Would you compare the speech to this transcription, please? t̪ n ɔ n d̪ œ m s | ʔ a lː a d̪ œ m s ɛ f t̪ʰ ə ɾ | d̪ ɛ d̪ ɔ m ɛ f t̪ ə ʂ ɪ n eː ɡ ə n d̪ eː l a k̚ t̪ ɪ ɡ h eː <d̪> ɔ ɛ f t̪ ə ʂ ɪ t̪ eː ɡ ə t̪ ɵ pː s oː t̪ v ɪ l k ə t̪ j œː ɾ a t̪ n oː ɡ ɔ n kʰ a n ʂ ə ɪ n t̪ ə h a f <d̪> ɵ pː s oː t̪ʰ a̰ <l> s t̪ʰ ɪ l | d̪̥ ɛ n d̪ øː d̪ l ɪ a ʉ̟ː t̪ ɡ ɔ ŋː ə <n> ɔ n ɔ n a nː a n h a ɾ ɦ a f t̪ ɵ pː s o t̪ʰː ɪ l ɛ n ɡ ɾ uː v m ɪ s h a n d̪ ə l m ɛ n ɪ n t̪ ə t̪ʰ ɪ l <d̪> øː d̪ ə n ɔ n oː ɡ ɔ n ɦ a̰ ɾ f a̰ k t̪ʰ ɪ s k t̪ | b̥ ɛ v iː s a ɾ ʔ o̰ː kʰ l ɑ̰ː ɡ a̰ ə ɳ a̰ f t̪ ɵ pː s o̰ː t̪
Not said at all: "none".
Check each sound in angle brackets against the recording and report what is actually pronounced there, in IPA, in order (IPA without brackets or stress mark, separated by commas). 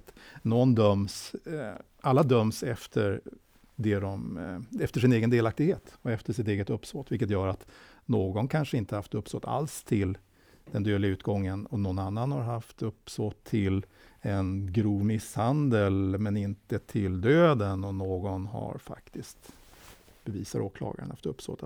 t̪, t̪, l, n, d̪